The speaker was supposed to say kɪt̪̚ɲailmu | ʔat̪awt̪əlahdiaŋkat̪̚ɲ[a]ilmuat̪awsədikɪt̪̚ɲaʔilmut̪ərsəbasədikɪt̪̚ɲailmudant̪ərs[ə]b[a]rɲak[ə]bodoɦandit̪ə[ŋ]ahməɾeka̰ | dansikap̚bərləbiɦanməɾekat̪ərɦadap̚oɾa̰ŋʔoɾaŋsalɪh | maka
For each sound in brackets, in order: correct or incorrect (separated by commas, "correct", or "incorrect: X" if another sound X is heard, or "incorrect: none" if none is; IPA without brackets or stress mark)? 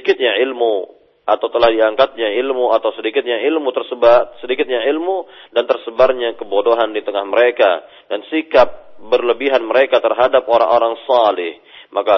correct, correct, correct, correct, correct